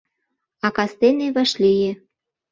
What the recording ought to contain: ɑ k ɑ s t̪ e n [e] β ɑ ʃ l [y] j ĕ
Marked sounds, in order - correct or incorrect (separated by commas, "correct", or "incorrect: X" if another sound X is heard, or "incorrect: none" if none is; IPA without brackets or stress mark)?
correct, incorrect: i